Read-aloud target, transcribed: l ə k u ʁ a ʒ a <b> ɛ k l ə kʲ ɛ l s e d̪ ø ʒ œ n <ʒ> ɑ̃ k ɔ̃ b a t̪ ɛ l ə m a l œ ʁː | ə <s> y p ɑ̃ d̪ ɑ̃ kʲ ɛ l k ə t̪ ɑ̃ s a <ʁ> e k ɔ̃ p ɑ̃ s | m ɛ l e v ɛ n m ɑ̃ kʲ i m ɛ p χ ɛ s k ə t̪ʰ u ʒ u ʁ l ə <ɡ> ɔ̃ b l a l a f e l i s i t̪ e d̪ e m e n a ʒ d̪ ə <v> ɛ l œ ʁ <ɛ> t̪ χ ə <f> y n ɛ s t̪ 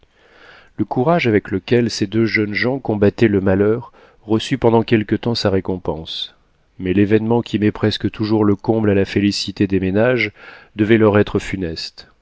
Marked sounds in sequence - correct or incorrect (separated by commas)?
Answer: incorrect, correct, correct, correct, incorrect, correct, correct, correct